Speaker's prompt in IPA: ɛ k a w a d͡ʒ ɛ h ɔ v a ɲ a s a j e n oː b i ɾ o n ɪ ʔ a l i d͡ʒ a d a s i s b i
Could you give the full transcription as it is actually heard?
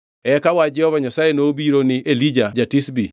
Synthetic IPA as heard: ɛ k a w a d͡ʒ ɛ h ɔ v a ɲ a s a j e n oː b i ɾ o n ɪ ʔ e l i d͡ʒ a d͡ʒ a t i s b i